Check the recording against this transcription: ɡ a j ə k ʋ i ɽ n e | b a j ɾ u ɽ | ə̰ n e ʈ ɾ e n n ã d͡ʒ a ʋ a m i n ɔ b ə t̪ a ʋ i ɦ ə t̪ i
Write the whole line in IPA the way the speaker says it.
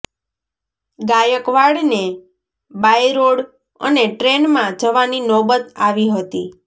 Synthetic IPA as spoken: ɡ a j ə k ʋ a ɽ n e | b a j ɾ o ɽ | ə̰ n e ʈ ɾ e n m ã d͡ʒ ə ʋ a n i n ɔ b ə t̪ a ʋ i ɦ ə t̪ i